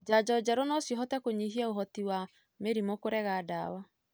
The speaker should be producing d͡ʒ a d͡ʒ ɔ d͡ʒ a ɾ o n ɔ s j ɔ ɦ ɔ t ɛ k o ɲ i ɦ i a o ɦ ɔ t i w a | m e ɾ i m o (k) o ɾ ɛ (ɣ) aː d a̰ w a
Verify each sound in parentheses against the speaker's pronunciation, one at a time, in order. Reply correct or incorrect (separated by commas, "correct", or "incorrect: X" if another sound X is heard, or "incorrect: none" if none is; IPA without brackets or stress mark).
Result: correct, correct